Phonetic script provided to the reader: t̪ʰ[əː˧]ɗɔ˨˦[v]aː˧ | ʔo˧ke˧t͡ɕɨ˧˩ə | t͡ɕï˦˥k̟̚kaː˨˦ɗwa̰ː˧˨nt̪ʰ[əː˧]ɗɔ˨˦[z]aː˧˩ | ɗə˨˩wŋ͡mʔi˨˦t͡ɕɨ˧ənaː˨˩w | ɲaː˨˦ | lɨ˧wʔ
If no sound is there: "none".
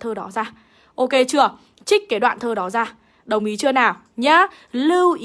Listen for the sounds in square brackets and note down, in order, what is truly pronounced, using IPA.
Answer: əː˧, z, əː˧, z

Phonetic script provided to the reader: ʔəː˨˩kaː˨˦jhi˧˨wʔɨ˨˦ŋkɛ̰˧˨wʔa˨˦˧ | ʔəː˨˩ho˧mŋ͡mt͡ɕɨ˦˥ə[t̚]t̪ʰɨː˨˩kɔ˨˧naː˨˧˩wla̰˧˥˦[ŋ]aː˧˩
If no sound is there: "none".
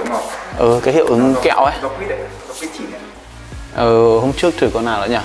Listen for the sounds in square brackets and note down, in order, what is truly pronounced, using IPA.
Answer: k̚, ɲ

